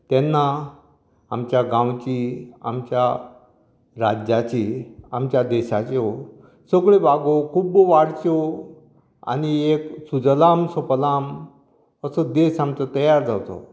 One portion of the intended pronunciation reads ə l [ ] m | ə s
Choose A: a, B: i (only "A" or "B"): A